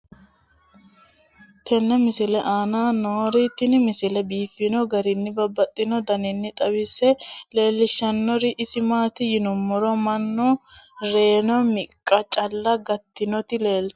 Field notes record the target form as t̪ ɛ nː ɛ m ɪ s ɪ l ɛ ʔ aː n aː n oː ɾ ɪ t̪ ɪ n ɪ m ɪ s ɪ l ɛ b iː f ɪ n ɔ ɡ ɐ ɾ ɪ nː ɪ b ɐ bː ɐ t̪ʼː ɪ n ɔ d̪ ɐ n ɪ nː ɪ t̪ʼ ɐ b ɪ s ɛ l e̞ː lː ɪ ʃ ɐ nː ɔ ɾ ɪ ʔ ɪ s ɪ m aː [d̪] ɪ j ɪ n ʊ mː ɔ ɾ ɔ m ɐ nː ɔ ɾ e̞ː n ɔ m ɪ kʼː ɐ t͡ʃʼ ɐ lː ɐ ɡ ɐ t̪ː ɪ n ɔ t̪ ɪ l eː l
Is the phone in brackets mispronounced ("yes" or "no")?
yes